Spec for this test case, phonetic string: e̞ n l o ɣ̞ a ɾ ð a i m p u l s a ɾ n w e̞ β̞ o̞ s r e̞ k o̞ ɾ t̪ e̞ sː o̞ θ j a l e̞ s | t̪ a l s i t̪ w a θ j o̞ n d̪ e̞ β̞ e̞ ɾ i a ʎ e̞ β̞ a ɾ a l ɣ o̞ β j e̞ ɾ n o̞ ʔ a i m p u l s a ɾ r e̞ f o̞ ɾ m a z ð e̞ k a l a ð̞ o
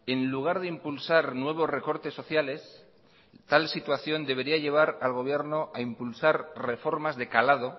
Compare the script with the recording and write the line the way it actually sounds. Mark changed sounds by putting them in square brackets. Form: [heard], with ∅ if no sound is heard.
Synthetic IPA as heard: e̞ n l [u] ɣ̞ a ɾ ð [e] i m p u l s a ɾ n w e̞ β̞ o̞ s r e̞ k o̞ ɾ t̪ e̞ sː o̞ θ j a l e̞ s | t̪ a l s i t̪ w a θ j o̞ n d̪ e̞ β̞ e̞ ɾ i a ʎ e̞ β̞ a ɾ a l ɣ o̞ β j e̞ ɾ n o̞ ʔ a i m p u l s a ɾ r e̞ f o̞ ɾ m a z ð e̞ k a l a ð̞ o